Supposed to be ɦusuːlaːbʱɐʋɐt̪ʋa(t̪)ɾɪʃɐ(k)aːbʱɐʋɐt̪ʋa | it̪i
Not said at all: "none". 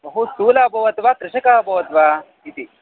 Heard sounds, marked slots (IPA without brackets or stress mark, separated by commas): t̪, k